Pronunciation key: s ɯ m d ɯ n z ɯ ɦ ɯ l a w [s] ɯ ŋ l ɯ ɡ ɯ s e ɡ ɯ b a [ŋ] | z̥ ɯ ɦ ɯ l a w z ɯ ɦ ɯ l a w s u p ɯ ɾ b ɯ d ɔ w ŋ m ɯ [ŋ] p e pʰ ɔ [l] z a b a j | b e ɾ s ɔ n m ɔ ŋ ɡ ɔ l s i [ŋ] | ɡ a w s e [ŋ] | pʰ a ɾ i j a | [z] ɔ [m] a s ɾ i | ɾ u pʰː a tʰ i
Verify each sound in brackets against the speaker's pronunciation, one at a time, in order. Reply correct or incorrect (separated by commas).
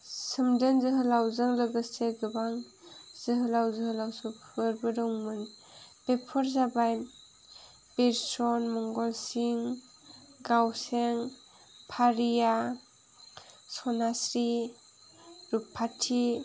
incorrect, correct, incorrect, incorrect, correct, correct, incorrect, incorrect